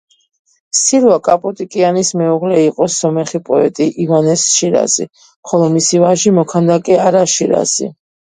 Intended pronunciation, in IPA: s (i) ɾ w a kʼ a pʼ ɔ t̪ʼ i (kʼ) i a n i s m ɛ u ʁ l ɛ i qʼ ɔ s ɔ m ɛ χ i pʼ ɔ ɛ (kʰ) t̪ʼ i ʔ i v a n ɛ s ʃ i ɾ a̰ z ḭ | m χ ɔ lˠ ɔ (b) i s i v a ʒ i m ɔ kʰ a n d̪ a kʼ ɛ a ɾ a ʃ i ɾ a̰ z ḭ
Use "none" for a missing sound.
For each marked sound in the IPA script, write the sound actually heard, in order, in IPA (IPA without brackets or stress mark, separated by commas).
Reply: i, kʼ, none, m